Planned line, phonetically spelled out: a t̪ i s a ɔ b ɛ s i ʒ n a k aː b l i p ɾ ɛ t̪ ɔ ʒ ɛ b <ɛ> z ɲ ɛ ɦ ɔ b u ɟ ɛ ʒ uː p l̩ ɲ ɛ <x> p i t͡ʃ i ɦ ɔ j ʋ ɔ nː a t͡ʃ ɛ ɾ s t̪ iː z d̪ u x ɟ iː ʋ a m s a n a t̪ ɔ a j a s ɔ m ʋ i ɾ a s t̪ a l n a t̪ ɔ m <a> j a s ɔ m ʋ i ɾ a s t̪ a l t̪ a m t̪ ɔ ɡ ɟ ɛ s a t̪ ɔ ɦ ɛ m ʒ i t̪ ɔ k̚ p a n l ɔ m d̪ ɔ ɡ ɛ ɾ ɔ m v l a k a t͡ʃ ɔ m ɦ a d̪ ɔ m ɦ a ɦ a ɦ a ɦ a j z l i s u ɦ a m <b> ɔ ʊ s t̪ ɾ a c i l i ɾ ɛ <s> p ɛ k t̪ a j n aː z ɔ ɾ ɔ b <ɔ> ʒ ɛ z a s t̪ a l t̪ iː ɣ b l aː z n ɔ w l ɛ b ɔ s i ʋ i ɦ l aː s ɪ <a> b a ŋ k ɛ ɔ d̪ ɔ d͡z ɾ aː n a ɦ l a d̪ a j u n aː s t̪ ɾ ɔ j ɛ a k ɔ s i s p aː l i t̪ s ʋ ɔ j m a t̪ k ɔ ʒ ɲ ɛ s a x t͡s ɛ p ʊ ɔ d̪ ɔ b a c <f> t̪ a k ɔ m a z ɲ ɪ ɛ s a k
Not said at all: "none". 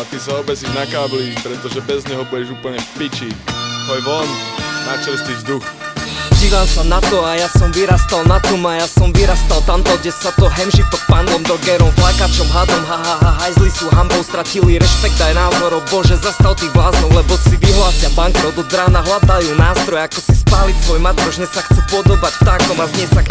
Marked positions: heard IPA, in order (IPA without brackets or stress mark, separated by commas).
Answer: ɛ, f, a, b, ʃ, ɔ, a, f